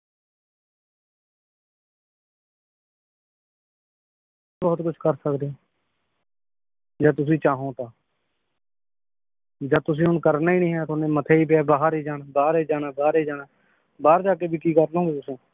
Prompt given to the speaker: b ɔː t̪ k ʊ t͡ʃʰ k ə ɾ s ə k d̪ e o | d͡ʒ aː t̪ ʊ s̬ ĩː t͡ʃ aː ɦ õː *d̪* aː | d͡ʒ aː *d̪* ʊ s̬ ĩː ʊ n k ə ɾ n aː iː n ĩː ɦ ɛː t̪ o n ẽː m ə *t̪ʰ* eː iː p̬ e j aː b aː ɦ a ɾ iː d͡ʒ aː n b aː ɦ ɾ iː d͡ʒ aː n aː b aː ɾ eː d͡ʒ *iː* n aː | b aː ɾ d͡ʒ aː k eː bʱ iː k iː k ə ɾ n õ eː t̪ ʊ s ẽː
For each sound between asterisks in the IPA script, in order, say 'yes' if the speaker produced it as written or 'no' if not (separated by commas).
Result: no, no, yes, no